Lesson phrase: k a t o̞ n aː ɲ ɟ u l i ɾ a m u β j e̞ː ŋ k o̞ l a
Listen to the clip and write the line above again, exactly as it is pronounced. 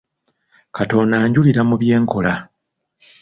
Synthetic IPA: k a t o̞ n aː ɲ ɟ u l i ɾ a m u β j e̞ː ŋ k o̞ l a